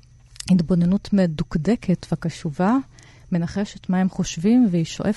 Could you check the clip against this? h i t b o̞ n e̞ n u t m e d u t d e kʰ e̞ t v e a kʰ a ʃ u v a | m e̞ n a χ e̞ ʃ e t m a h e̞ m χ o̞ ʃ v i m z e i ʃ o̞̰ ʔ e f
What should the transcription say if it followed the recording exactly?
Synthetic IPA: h i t b o̞ n e̞ n u t m e d u k d e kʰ e̞ t v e a k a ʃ u v a | m e̞ n a χ e̞ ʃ e t m a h e̞ m χ o̞ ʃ v i m v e i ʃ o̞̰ ʔ e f